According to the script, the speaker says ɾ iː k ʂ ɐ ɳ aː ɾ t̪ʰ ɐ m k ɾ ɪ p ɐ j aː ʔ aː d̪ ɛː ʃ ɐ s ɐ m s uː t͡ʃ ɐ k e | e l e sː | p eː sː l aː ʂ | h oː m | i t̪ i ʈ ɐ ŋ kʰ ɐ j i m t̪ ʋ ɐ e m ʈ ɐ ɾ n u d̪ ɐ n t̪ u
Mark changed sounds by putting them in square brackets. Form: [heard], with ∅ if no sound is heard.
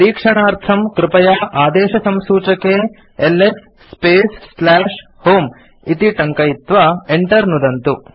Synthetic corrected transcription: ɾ iː k ʂ ɐ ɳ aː ɾ t̪ʰ ɐ m k ɾ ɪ p ɐ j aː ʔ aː d̪ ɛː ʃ ɐ s ɐ m s uː t͡ʃ ɐ k e | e l e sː | p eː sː l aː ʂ | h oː m | i t̪ i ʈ ɐ ŋ [k] ɐ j i [∅] t̪ ʋ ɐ e [ɳ] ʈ ɐ ɾ n u d̪ ɐ n t̪ u